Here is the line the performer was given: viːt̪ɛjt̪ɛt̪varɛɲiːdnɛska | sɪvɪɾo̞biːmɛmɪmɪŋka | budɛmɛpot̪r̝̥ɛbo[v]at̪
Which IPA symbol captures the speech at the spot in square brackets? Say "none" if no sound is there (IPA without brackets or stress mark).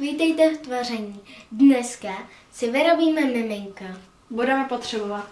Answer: v